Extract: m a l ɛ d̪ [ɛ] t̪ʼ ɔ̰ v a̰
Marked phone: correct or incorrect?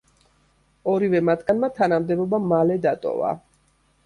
incorrect: a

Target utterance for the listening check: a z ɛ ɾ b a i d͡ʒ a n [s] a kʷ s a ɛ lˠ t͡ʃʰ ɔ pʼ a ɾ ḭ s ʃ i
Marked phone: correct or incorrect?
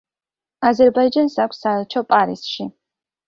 correct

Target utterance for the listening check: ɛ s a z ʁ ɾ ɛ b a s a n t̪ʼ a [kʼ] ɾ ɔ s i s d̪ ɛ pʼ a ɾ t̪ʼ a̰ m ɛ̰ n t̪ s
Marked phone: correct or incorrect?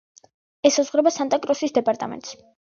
correct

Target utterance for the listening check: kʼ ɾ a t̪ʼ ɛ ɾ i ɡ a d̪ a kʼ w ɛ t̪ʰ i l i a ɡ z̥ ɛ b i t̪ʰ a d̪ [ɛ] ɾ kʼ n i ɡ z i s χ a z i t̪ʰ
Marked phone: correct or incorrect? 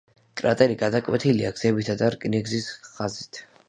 incorrect: a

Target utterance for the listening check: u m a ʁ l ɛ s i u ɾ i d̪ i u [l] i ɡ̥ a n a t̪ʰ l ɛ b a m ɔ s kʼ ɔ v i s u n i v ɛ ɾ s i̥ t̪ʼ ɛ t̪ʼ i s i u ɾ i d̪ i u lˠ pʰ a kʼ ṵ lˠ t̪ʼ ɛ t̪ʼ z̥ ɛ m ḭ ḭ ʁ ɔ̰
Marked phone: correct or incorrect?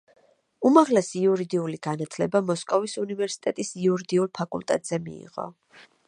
correct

